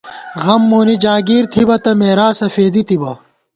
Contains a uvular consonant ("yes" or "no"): no